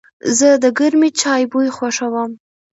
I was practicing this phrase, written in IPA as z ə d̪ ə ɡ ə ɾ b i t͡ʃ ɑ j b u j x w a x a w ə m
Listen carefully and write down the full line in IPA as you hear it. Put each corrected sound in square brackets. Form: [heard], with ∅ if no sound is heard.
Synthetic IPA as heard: z ə d̪ ə ɡ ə ɾ [m] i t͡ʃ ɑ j b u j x w a [ʂ] a w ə m